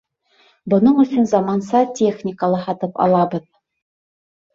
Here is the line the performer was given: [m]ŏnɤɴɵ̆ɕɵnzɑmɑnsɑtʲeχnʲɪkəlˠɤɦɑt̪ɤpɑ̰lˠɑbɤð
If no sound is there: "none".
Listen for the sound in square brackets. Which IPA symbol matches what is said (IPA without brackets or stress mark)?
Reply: b